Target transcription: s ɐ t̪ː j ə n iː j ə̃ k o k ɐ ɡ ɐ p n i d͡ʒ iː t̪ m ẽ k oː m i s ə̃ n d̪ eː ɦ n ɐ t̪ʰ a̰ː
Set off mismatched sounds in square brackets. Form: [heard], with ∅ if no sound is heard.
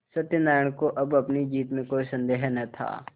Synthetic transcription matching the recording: s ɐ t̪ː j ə n [aː] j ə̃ k o [ʔ] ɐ [b] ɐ p n i d͡ʒ iː t̪ m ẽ k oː [∅] i s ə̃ n d̪ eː ɦ n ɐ t̪ʰ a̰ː

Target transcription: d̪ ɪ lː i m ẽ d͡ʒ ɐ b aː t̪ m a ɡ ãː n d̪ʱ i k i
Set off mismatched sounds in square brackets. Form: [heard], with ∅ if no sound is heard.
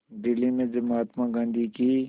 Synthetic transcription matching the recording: d̪ ɪ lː i m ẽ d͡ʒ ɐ [m] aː t̪ m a ɡ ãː n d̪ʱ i k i

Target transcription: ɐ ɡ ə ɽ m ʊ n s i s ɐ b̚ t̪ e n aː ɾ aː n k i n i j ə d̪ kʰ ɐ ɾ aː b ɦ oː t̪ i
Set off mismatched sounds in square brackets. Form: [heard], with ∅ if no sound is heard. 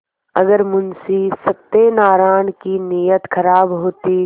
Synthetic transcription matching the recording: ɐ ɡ ə [ɾ] m ʊ n s i s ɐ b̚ t̪ e n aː ɾ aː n k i n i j ə [t̪] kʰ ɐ ɾ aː b ɦ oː t̪ i

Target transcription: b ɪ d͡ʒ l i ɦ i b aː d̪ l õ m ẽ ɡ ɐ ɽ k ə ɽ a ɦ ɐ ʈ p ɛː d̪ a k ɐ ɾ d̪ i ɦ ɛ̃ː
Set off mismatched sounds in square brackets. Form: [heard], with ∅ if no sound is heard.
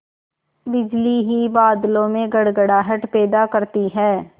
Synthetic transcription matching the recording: b ɪ d͡ʒ l i ɦ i b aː d̪ l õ m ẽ ɡ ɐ ɽ [ɡ] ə ɽ a ɦ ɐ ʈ p ɛː d̪ a k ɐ ɾ [t̪] i ɦ [ɛː]

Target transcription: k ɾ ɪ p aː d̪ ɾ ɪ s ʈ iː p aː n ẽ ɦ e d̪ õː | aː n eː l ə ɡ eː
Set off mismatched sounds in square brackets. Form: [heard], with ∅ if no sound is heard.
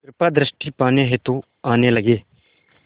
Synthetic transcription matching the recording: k ɾ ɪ p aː d̪ ɾ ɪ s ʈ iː p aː n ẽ ɦ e [t̪] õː | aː n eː l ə ɡ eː

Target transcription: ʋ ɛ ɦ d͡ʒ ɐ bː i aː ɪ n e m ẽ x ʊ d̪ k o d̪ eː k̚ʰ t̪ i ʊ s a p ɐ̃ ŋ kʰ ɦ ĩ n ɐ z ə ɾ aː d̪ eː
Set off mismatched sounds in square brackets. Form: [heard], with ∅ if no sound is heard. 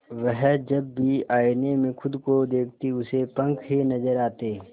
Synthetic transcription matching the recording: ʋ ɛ ɦ d͡ʒ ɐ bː i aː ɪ n e m ẽ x ʊ d̪ k o d̪ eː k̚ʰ t̪ i ʊ s [e] p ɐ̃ ŋ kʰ ɦ [i] n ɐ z ə ɾ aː [t̪] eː

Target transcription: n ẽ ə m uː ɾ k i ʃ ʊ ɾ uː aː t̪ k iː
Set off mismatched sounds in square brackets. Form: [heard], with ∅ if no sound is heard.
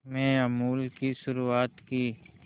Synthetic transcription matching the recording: [m] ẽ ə m uː [l] k i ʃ ʊ ɾ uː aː t̪ k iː

